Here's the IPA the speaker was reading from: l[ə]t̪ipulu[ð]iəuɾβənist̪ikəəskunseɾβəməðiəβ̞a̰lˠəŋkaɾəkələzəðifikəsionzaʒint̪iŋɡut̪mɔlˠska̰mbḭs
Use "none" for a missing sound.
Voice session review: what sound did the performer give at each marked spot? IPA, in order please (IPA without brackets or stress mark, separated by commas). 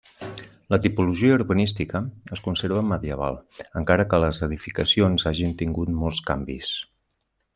ə, ʒ